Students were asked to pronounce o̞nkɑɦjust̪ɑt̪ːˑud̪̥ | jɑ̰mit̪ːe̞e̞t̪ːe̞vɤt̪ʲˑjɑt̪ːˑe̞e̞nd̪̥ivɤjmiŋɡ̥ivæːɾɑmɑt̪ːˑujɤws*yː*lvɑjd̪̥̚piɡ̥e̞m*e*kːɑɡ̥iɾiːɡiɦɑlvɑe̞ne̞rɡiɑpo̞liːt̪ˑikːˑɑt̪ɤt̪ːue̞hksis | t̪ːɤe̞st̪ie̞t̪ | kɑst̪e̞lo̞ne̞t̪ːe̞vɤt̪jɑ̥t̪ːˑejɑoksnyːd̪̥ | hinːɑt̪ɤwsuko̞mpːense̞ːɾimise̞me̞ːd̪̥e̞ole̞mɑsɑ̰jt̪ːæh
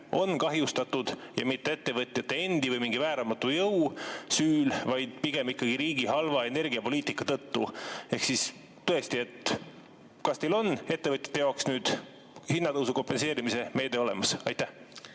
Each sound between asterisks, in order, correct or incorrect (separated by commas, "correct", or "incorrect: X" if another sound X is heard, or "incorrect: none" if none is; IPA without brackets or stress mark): correct, incorrect: i